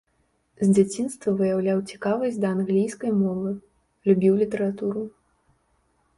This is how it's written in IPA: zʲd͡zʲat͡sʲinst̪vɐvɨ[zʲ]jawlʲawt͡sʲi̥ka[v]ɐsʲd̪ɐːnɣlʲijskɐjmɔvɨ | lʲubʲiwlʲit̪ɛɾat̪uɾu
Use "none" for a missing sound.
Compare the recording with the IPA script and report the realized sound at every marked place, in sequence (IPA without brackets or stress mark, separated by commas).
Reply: none, v